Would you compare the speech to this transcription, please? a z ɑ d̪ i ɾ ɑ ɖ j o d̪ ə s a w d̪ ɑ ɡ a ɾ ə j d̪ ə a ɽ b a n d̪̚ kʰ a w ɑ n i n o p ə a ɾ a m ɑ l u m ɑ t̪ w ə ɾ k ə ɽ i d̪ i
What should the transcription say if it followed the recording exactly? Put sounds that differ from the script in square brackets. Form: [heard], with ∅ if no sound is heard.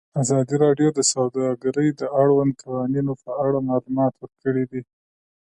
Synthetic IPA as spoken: a z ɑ d̪ i ɾ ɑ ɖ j o d̪ ə s a w d̪ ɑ ɡ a ɾ ə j d̪ ə a ɽ [w] a n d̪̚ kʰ a w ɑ n i n o p ə a [ɽ] a m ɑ l u m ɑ t̪ w ə ɾ k ə ɽ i d̪ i